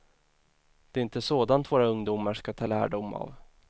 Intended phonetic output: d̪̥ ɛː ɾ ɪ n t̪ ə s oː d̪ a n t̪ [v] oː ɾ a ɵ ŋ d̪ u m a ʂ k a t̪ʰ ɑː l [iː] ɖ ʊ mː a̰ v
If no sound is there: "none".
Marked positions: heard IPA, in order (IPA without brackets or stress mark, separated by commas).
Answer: v, æː